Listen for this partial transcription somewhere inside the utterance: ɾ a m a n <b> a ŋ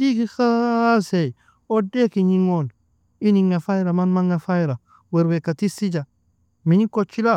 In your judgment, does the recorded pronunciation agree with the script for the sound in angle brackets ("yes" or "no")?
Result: no